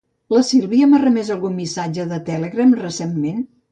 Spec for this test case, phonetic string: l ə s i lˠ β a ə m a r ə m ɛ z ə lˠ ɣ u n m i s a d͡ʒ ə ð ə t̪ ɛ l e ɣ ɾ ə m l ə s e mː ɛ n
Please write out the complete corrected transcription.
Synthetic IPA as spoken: l ə s i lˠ β i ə m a r ə m ɛ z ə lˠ ɣ u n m i s a d͡ʒ ə ð ə t̪ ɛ l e ɣ ɾ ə m r ə s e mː e n